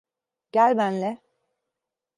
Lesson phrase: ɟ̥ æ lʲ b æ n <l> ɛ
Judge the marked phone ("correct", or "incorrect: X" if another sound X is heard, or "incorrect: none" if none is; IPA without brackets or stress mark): correct